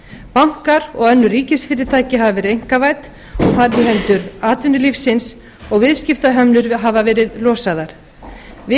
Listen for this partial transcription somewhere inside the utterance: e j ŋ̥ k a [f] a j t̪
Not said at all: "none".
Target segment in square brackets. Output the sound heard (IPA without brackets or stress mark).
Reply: v